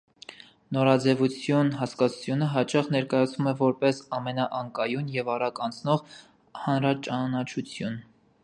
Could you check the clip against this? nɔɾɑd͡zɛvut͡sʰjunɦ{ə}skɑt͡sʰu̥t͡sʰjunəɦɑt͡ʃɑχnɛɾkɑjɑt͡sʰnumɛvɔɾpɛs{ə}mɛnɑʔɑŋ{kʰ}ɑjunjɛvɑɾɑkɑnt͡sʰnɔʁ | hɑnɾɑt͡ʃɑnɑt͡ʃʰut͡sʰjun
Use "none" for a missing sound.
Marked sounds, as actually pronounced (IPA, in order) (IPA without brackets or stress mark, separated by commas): ɑ, ɑ, k